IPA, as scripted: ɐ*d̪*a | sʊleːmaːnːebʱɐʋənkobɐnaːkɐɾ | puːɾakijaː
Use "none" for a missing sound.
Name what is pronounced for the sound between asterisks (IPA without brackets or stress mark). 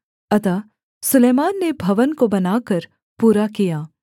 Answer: t̪